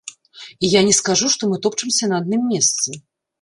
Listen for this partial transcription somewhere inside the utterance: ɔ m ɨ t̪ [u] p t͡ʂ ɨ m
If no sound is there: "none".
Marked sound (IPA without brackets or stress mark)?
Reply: ɔ